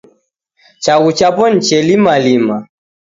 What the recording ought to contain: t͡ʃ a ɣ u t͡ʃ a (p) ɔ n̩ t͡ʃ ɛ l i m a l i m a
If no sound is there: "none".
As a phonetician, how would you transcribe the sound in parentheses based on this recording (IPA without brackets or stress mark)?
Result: p